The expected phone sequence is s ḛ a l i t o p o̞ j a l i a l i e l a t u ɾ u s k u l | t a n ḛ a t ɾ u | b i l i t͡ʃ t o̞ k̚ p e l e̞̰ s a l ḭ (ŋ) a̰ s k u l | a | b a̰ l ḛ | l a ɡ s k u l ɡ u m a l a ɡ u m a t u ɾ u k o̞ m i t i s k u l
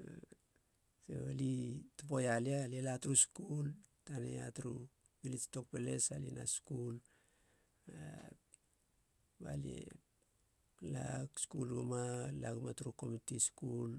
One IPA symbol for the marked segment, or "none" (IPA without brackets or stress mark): n